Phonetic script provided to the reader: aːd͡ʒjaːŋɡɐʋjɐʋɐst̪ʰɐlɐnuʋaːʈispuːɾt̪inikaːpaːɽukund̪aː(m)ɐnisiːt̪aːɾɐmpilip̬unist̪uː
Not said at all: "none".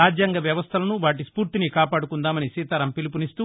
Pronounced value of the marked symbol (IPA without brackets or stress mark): m